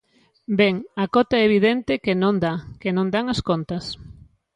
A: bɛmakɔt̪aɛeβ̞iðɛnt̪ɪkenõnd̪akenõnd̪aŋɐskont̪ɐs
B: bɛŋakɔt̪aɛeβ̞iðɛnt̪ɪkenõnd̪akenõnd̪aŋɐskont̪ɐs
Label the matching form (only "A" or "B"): B